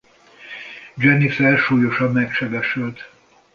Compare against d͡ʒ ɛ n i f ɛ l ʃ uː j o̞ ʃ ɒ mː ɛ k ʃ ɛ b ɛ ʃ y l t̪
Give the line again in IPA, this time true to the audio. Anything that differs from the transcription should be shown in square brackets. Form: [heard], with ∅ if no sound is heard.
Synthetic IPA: d͡ʒ ɛ n i f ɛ l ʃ uː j o̞ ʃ ɒ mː ɛ k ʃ ɛ b ɛ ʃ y l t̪

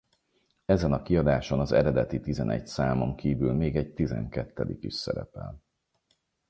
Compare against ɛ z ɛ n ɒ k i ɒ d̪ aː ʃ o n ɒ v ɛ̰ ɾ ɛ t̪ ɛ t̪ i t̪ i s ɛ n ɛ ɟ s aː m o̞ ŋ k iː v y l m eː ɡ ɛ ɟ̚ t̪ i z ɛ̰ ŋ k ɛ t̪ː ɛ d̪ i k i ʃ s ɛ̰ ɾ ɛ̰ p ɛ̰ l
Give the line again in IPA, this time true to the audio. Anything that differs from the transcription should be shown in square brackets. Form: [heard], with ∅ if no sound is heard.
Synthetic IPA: ɛ z ɛ n ɒ k i ɒ d̪ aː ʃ o n ɒ [z] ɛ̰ ɾ ɛ [d̪] ɛ t̪ i t̪ i [z] ɛ n ɛ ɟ s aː m o̞ ŋ k iː v y l m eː ɡ ɛ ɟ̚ t̪ i z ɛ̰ ŋ k ɛ t̪ː ɛ d̪ i k i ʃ s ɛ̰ ɾ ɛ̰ p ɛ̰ l

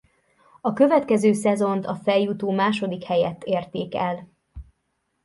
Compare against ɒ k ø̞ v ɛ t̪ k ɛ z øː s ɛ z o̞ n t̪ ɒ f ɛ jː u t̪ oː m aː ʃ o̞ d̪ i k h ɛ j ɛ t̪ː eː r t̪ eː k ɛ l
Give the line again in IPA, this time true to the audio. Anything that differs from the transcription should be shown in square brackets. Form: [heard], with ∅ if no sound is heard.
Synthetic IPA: ɒ k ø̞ v ɛ t̪ k ɛ z øː s ɛ z o̞ n t̪ ɒ f ɛ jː u t̪ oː m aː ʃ o̞ d̪ i k h ɛ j ɛ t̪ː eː r t̪ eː k ɛ l

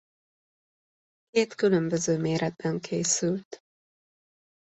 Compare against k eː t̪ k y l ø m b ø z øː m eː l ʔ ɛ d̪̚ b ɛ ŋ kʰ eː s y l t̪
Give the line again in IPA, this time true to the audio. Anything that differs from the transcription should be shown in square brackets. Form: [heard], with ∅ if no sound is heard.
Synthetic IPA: k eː t̪ k y l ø m b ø z øː m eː [ɾ] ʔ ɛ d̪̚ b ɛ ŋ kʰ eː s y l t̪

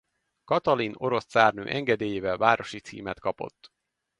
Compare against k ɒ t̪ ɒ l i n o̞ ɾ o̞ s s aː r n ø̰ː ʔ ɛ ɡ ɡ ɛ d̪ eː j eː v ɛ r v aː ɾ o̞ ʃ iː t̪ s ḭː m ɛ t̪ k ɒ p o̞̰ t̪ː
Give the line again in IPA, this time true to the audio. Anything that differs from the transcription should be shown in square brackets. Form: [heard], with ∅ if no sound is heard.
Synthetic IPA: k ɒ t̪ ɒ l i n o̞ ɾ o̞ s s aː r n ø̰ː ʔ ɛ [ŋ] ɡ ɛ d̪ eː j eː v ɛ [l] v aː ɾ o̞ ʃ [i] t̪ s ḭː m ɛ t̪ k ɒ p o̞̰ t̪ː

